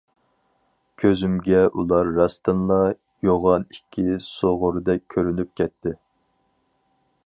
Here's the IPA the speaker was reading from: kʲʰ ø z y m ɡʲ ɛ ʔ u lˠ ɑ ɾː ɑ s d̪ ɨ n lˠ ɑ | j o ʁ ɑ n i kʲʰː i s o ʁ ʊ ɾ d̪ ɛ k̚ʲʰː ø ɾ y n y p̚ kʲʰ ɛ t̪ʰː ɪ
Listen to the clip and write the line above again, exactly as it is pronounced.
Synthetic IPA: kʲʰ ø z y m ɡʲ ɛ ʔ u lˠ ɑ ɾː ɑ s t̪ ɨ n lˠ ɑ | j o ʁ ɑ n i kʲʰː i s o ʁ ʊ ɾ d̪ ɛ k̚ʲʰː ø ɾ y n y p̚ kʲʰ ɛ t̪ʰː ɪ